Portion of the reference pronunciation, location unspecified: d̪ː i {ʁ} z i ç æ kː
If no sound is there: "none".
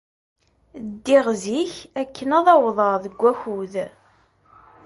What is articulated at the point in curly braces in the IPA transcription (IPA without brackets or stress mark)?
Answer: ʁ